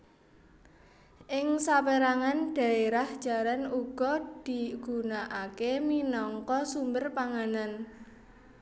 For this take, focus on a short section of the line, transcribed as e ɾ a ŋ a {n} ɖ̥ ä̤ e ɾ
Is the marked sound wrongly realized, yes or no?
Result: no